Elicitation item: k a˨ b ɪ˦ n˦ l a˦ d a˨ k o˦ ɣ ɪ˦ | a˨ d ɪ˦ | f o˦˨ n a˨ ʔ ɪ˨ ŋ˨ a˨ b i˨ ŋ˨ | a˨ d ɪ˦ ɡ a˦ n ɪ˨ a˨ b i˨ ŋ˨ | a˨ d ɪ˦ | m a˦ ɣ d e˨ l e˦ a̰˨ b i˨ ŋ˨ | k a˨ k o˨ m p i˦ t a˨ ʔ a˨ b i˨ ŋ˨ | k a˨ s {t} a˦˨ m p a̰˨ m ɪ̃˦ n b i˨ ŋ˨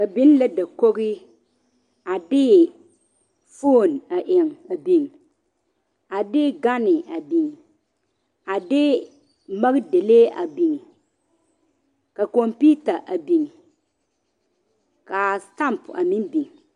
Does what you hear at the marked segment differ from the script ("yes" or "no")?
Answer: no